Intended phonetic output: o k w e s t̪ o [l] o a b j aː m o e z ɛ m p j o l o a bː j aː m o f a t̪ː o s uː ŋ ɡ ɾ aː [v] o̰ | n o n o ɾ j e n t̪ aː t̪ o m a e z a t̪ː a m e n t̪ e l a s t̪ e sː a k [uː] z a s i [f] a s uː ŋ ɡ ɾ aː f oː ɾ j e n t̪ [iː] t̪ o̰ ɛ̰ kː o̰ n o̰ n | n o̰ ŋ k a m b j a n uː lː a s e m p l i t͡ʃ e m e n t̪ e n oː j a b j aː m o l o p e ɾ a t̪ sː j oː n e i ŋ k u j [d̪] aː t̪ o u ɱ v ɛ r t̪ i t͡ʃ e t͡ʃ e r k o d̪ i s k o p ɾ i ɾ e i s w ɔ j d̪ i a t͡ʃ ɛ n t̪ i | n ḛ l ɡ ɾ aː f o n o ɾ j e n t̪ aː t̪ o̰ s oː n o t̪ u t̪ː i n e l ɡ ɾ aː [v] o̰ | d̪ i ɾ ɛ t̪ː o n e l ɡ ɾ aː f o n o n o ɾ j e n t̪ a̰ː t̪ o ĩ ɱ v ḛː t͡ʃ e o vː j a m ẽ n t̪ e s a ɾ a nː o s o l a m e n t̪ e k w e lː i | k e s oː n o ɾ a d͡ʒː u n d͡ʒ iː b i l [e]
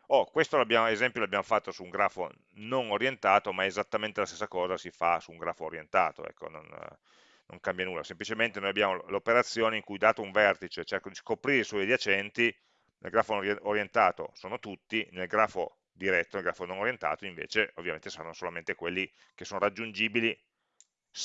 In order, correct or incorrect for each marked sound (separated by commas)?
correct, incorrect, incorrect, correct, incorrect, correct, incorrect, incorrect